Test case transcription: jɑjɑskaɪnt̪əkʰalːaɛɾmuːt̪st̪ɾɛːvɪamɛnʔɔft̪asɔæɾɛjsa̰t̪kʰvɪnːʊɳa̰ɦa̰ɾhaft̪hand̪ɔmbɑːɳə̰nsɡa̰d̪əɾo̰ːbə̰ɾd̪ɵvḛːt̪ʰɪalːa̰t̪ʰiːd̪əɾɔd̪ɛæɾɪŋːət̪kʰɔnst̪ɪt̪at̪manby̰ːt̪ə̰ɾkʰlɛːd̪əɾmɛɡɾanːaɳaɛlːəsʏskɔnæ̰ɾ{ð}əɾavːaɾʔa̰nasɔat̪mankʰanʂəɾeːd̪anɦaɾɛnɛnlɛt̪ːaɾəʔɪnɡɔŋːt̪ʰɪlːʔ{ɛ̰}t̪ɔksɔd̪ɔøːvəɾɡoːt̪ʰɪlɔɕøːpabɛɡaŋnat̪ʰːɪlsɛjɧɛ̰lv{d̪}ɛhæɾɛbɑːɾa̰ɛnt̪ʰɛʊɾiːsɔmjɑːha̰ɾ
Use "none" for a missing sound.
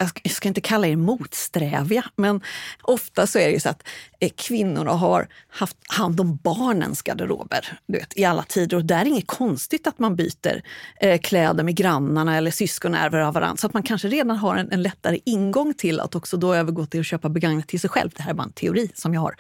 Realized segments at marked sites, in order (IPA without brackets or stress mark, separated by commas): v, a̰, d̪